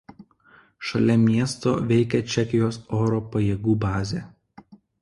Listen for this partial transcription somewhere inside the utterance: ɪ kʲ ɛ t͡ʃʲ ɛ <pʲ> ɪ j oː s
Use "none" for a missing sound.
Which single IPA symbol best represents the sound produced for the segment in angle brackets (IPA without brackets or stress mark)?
kʲ